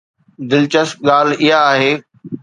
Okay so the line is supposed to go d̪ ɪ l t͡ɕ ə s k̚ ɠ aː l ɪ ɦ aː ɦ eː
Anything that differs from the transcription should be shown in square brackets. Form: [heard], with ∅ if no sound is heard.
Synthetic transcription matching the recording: d̪ ɪ l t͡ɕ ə s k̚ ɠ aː l ɪ ɦ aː ɦ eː